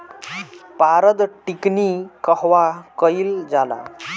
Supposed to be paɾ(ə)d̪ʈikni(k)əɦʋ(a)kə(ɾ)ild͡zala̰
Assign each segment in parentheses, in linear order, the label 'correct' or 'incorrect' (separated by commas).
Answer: correct, correct, correct, incorrect